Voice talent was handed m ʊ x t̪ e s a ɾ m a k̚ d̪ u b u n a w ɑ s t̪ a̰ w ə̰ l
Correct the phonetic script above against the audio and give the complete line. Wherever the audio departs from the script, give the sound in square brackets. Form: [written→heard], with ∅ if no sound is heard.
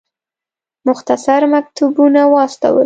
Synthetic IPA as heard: m ʊ x t̪ [e→a] s a ɾ m a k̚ [d̪→t̪] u b u n a w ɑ s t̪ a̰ w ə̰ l